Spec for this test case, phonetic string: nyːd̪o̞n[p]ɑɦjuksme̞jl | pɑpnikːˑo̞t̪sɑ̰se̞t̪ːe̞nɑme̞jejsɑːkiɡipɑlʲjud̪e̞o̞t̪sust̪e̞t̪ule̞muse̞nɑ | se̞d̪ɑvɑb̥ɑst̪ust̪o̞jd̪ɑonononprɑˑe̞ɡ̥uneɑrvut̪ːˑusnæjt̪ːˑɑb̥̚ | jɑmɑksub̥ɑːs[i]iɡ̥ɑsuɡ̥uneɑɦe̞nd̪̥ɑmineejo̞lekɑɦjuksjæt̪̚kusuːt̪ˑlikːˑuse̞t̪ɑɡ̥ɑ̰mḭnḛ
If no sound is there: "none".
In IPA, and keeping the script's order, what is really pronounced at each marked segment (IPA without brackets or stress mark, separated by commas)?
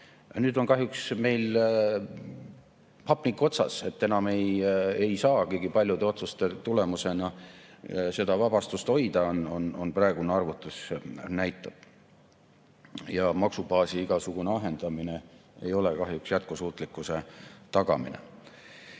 k, i